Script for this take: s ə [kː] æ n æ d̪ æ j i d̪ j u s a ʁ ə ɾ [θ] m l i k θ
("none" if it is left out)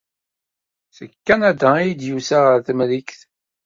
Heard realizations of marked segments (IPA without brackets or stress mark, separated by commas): kː, θ